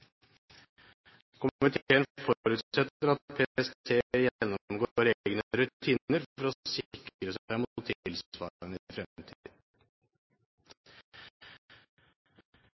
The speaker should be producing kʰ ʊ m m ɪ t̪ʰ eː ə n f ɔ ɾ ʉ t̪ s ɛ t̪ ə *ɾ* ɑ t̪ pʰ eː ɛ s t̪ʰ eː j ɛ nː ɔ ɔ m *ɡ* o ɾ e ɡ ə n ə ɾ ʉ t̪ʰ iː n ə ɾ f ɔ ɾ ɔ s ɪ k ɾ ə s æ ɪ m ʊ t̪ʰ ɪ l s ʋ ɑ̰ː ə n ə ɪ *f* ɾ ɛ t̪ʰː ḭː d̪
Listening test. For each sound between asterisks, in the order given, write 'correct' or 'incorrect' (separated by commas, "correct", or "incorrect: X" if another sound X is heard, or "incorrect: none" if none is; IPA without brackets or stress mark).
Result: correct, correct, correct